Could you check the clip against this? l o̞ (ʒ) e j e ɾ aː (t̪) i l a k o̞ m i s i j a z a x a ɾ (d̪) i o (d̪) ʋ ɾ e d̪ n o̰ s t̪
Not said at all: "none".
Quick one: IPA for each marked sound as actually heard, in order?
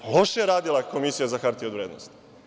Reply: ʃ, d̪, t̪, d̪

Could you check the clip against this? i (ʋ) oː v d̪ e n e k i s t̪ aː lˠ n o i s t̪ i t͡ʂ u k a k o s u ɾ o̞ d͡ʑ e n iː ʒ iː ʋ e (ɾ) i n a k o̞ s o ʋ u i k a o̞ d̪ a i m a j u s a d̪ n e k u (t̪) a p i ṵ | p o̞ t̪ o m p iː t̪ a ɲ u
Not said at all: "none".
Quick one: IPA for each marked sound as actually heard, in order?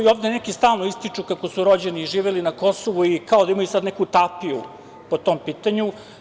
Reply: none, l, t̪

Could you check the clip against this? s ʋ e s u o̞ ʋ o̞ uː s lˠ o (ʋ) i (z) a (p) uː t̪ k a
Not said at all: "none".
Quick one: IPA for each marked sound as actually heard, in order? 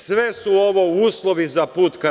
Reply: ʋ, z, p

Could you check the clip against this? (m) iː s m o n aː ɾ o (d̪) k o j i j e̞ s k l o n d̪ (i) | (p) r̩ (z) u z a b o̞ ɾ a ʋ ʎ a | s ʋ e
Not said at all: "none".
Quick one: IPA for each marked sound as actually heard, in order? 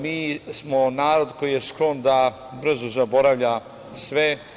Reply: m, d̪, a, b, z

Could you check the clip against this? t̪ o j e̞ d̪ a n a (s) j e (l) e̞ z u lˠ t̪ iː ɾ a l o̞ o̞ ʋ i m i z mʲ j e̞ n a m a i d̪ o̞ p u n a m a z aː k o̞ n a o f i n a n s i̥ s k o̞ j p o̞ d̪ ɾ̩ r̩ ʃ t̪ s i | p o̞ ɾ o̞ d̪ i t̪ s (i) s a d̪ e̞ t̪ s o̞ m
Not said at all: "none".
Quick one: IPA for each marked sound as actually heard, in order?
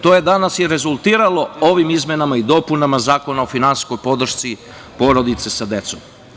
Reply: s, ɾ, e

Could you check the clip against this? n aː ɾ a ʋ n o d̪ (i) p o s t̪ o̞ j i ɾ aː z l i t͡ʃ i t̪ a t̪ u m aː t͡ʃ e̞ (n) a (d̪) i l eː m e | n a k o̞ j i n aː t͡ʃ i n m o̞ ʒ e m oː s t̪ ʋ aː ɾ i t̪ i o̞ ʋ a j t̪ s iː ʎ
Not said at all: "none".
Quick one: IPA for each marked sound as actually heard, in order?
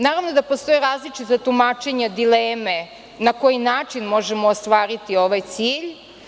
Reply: a, ɲ, d̪

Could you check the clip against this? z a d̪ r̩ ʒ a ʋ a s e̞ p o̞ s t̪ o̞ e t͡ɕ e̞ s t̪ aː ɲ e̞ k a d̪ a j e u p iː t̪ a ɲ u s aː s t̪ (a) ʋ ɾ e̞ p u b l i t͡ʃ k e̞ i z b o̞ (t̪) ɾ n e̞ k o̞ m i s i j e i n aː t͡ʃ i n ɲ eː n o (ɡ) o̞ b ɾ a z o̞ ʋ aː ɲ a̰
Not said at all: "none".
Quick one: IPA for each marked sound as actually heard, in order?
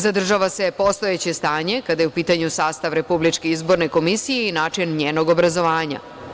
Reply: a, none, ɡ

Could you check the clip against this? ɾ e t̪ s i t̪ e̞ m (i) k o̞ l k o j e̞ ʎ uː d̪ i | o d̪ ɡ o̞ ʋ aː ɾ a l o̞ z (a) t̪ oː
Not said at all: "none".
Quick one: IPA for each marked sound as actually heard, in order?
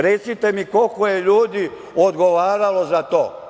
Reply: i, a

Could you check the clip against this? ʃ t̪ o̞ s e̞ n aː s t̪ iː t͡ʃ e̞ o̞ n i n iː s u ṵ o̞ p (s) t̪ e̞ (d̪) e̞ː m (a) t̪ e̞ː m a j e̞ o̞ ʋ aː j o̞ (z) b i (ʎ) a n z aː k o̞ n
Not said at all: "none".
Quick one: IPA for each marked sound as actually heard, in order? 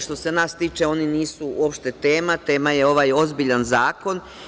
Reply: ʃ, t̪, a, z, ʎ

